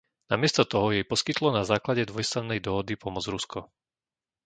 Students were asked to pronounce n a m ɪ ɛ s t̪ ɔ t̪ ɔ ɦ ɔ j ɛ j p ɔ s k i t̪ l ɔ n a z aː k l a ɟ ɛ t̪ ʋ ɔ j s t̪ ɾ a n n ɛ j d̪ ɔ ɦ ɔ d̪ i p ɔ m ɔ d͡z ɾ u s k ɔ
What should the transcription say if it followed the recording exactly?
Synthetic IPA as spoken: n a m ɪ ɛ s t̪ ɔ t̪ ɔ ɦ ɔ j ɛ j p ɔ s k i t̪ l ɔ n a z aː k l a ɟ ɛ d̪ ʋ ɔ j s t̪ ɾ a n n ɛ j d̪ ɔ ɦ ɔ d̪ i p ɔ m ɔ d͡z ɾ u s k ɔ